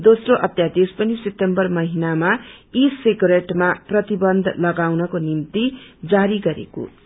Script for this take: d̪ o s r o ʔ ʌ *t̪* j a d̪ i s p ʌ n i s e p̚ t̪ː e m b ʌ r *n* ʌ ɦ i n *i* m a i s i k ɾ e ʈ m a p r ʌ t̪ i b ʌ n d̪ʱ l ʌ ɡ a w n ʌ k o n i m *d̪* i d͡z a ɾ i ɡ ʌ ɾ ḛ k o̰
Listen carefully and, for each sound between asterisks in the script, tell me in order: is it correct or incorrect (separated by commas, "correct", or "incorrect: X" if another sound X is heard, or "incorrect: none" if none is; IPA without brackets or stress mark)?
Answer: correct, incorrect: m, incorrect: a, incorrect: t̪